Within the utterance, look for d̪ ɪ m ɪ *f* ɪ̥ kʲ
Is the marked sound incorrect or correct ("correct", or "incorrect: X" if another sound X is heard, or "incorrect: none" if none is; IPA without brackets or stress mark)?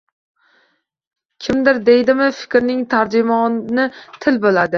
correct